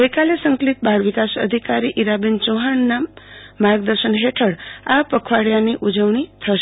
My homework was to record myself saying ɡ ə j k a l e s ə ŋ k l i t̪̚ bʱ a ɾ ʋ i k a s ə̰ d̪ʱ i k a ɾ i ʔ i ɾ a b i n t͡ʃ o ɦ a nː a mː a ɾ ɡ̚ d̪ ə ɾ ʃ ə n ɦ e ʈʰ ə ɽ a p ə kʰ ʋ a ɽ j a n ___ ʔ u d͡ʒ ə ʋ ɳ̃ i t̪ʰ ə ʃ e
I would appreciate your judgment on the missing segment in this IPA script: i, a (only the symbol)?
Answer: i